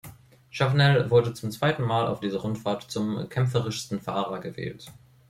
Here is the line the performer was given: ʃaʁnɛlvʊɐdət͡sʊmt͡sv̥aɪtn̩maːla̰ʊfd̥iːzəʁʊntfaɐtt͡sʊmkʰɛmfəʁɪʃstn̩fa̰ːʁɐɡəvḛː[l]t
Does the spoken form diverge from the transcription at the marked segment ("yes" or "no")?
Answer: no